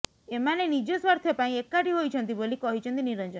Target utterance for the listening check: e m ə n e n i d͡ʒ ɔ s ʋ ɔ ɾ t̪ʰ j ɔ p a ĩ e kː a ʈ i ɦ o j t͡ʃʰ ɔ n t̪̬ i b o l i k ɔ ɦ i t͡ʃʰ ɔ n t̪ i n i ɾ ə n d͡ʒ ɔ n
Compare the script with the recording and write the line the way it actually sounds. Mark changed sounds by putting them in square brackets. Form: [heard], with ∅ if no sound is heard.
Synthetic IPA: e m [a] n e n i d͡ʒ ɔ s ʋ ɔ ɾ t̪ʰ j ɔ p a ĩ e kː a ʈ i ɦ o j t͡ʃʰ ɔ n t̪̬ i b o l i k ɔ ɦ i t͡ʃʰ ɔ n t̪ i n i ɾ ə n d͡ʒ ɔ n